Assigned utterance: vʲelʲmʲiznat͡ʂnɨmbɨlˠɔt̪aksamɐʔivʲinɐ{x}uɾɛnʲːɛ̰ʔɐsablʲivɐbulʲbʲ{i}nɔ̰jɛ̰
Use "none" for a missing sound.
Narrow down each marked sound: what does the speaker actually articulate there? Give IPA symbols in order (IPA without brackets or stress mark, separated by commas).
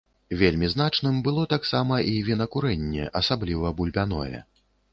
k, a